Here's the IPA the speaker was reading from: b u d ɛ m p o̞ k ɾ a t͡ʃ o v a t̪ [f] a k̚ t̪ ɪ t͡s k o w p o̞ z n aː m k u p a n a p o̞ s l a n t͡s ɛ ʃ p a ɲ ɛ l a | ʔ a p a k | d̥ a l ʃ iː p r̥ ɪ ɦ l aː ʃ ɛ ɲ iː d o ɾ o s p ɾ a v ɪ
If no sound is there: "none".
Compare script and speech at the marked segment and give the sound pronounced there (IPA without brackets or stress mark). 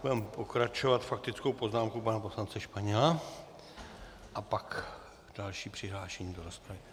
f